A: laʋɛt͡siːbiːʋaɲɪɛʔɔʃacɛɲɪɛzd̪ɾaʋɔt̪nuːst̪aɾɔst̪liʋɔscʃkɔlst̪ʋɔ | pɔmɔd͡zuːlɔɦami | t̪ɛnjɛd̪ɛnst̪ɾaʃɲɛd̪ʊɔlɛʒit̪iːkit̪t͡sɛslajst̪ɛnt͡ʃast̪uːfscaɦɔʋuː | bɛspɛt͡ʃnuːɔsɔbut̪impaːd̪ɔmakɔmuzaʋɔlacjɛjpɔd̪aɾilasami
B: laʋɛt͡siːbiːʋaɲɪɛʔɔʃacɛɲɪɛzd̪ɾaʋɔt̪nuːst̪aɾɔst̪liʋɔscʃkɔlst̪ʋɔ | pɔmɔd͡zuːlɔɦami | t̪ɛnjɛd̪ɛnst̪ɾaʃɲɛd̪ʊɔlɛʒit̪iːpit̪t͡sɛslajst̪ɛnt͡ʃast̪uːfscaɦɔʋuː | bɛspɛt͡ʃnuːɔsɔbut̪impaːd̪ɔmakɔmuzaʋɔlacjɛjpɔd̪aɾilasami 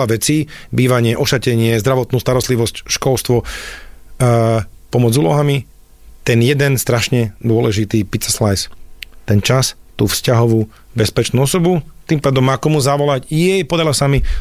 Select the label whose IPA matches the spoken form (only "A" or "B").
B